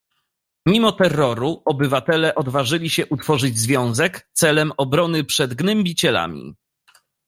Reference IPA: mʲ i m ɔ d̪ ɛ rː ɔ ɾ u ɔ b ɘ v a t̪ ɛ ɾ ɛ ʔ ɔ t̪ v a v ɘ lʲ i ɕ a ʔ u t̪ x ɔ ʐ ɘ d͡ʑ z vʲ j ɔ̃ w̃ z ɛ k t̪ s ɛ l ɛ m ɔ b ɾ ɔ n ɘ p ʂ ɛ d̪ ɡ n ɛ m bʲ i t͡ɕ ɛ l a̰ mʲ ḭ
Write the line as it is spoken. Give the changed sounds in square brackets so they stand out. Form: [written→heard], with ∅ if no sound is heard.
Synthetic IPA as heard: mʲ i m ɔ [d̪→t̪] ɛ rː ɔ ɾ u ɔ b ɘ v a t̪ ɛ [ɾ→l] ɛ ʔ ɔ [t̪→d̪] v a [v→ʐ] ɘ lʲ i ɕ [a→ɛ] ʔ u t̪ [x→f] ɔ ʐ ɘ d͡ʑ z vʲ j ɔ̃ w̃ z ɛ k t̪ s ɛ l ɛ m ɔ b ɾ ɔ n ɘ p ʂ ɛ d̪ ɡ n ɛ m bʲ i t͡ɕ ɛ l a̰ mʲ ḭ